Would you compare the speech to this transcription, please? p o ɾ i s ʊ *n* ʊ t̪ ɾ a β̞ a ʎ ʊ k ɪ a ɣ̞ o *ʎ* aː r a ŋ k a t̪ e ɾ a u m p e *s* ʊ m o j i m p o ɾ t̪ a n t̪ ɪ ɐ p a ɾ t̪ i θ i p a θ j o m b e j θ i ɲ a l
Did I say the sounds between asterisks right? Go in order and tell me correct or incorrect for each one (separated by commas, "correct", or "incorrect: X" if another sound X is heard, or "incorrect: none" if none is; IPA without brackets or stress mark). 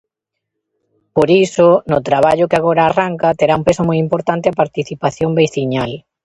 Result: correct, incorrect: ɾ, correct